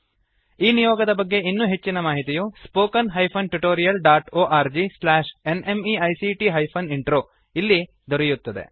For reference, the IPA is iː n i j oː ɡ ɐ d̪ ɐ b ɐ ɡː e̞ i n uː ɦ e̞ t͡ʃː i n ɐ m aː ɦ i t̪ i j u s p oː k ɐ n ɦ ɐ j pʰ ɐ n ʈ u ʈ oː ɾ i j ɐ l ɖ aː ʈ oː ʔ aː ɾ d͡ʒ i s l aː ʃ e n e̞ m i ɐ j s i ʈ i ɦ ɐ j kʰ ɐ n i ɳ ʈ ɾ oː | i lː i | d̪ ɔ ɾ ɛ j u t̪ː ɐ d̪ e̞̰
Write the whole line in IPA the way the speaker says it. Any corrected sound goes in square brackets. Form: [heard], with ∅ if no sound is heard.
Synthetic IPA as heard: iː n i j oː ɡ ɐ d̪ ɐ b ɐ ɡː e̞ i [nː] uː ɦ e̞ t͡ʃː i n ɐ m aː ɦ i t̪ i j u s p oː k ɐ n ɦ ɐ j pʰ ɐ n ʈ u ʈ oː ɾ i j ɐ l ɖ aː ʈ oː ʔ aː ɾ d͡ʒ i s l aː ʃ e n e̞ m i ɐ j s i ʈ i ɦ ɐ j [pʰ] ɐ n i ɳ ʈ ɾ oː | i lː i | d̪ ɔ ɾ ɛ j u t̪ː ɐ d̪ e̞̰